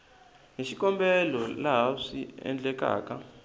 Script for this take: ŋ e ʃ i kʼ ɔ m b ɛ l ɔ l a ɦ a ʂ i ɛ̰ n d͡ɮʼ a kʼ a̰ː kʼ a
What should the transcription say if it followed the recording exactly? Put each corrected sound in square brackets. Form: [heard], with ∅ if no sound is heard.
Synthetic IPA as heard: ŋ e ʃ i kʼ ɔ m b ɛ l ɔ l a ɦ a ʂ i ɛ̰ n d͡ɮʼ [ɛ] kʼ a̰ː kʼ a

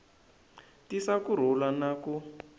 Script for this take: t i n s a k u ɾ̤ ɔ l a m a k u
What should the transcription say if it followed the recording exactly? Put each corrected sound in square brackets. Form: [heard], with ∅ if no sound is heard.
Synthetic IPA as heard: t i [∅] s a k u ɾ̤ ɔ l a [n] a k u

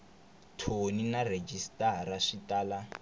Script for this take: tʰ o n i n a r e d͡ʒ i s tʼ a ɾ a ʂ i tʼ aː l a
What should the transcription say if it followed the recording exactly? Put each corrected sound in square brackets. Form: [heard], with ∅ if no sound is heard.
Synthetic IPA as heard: tʰ o n i n a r e d͡ʒ i s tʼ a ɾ a ʂ i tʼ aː l a

